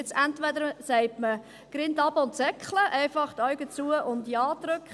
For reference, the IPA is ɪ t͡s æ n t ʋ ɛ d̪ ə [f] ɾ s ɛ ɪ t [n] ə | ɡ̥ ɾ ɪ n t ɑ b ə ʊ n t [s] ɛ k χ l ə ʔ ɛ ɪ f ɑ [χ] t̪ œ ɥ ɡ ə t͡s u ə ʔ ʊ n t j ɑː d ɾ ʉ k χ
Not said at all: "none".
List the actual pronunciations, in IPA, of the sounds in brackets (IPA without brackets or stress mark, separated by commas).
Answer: none, m, s, χ